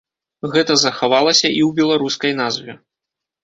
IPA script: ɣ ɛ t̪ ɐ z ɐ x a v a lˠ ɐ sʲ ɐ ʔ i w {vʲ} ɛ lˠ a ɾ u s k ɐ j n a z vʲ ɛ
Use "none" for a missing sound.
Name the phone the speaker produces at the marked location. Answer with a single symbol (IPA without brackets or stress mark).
bʲ